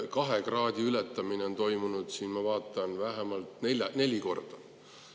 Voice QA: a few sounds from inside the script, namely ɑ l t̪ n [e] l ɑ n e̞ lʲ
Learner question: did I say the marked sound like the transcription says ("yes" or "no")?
yes